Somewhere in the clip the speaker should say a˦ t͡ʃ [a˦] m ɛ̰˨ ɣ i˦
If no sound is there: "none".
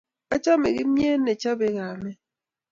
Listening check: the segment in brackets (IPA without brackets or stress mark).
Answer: a˦